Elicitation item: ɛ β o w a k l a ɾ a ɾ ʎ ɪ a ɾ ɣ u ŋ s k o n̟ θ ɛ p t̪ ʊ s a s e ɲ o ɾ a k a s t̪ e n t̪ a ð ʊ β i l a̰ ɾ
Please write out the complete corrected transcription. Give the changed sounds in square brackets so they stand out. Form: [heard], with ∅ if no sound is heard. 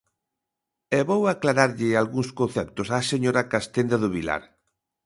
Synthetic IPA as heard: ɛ β o w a k l a ɾ a ɾ ʎ ɪ a [l] ɣ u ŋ s k o n̟ θ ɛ p t̪ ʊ s a s e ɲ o ɾ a k a s t̪ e n [d̪] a ð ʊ β i l a̰ ɾ